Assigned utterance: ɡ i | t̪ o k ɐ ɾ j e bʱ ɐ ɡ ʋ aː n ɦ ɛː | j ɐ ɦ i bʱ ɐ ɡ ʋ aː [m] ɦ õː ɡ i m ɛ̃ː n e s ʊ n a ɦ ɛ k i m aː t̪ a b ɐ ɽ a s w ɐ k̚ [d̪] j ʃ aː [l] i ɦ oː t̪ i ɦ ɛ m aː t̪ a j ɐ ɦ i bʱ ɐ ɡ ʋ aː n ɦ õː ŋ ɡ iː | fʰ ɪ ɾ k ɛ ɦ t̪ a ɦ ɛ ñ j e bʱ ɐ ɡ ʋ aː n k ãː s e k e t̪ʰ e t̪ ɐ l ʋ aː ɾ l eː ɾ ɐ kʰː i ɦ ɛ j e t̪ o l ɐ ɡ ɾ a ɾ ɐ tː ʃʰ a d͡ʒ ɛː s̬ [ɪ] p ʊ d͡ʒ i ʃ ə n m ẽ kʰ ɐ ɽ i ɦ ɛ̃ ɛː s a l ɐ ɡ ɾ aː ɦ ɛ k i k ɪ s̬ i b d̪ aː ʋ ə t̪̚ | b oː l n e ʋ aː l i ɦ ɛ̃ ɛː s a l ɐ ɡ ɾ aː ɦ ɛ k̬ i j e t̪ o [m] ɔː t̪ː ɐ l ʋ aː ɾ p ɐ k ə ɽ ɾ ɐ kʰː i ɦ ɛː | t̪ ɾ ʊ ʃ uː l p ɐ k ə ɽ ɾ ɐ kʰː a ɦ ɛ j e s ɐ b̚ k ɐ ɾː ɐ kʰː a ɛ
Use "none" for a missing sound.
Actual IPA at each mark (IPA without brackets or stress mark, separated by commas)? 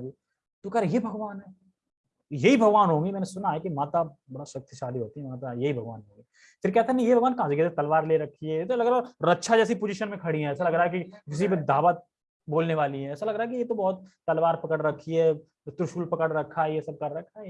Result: n, t̪, l, i, b